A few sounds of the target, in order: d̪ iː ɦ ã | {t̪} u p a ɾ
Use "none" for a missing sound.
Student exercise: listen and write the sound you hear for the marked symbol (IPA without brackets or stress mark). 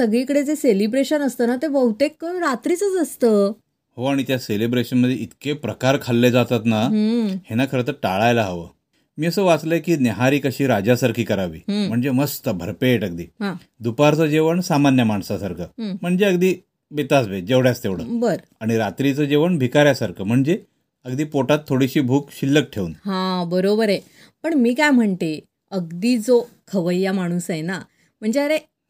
d̪